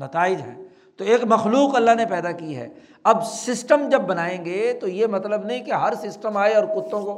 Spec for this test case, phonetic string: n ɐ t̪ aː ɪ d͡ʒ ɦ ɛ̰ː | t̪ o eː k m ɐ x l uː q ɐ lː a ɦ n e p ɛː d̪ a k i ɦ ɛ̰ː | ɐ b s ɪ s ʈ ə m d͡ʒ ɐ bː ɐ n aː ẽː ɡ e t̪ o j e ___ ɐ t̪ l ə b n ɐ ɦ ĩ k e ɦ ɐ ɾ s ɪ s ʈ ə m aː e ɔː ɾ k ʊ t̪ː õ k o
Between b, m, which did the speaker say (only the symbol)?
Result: m